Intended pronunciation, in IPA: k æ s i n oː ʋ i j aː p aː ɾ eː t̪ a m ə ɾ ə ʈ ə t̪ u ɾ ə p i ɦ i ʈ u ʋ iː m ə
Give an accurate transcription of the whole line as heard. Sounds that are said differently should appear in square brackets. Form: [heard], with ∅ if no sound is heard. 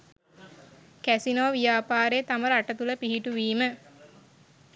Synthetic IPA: k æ s i n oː ʋ i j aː p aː ɾ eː t̪ a m ə ɾ [a] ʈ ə t̪ u [l] ə p i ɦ i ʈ u ʋ iː m ə